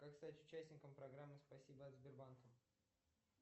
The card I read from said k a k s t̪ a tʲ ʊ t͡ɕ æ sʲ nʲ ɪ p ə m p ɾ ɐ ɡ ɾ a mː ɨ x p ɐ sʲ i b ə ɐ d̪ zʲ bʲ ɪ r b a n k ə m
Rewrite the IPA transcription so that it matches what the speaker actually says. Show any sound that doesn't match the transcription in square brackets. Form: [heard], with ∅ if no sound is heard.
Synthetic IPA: k a k s t̪ a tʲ ʊ t͡ɕ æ sʲ nʲ ɪ [k] ə m p ɾ ɐ ɡ ɾ a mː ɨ [s] p ɐ sʲ i b ə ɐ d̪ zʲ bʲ ɪ r b a n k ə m